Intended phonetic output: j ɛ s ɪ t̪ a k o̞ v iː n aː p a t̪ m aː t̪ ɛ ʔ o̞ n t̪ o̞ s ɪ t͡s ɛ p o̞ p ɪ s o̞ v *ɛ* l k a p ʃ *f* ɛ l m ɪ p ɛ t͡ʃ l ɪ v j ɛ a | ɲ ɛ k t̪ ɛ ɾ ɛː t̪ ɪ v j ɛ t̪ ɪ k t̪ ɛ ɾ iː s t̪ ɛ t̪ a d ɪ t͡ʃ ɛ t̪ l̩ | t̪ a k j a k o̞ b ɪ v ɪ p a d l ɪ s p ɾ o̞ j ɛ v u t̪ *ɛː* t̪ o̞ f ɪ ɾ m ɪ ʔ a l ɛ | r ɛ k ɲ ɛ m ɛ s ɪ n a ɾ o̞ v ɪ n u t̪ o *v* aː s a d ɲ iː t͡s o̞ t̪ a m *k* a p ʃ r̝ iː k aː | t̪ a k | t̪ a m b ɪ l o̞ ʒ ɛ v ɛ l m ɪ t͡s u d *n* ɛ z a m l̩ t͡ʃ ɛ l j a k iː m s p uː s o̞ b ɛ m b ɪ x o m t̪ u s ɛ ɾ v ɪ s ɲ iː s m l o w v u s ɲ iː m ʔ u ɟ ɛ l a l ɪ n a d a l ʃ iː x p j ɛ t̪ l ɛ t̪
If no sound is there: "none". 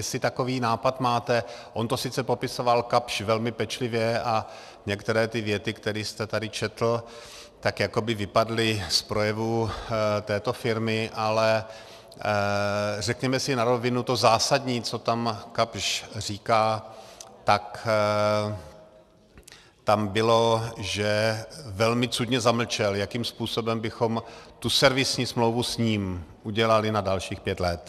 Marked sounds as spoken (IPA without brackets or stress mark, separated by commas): a, v, ɛː, z, k, ɲ